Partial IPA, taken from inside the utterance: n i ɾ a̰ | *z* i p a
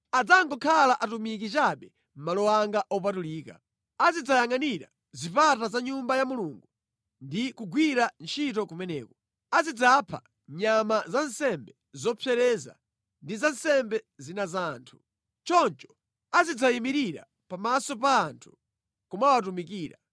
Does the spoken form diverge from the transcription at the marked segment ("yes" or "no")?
no